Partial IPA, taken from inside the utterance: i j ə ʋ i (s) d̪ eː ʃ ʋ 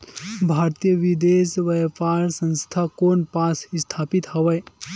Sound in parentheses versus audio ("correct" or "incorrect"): incorrect